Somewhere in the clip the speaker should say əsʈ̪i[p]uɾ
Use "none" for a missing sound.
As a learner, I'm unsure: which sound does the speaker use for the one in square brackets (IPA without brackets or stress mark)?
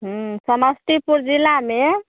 p